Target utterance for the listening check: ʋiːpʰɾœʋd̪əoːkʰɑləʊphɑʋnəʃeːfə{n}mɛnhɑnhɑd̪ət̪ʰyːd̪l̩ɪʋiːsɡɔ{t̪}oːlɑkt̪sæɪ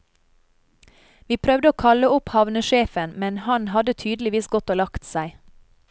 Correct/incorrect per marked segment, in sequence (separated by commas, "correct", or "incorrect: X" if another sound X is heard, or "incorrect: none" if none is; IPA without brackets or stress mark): correct, correct